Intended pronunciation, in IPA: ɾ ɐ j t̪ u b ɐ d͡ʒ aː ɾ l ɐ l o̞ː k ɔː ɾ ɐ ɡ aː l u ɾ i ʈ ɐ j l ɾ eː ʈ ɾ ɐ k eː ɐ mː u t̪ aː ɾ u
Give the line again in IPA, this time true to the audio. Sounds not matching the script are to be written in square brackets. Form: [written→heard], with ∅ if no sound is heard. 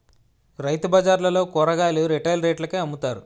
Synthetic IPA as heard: ɾ ɐ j t̪ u b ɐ d͡ʒ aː ɾ l ɐ l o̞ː k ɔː ɾ ɐ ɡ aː l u ɾ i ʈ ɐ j l ɾ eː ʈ [ɾ→l] ɐ k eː ɐ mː u t̪ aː ɾ u